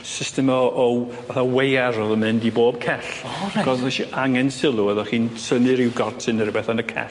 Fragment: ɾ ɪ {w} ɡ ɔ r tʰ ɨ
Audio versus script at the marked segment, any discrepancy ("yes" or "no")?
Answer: no